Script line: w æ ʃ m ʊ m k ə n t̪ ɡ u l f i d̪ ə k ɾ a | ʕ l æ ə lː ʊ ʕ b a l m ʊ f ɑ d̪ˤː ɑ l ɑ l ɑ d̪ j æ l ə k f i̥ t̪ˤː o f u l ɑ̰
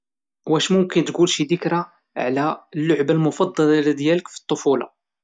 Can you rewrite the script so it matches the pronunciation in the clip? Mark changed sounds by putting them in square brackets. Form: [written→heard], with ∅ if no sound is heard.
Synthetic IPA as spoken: w æ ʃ m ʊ m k ə n t̪ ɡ u l [f→ʃ] i d̪ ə k ɾ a | ʕ l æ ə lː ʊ ʕ b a l m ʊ f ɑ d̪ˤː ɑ l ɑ l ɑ d̪ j æ l ə k f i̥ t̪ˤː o f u l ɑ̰